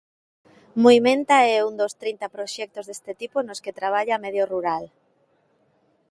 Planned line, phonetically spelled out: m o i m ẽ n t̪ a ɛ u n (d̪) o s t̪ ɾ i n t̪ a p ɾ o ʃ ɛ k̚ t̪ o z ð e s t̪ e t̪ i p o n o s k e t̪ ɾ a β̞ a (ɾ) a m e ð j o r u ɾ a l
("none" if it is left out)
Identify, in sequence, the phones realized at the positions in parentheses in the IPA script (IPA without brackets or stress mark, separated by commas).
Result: d̪, ʎ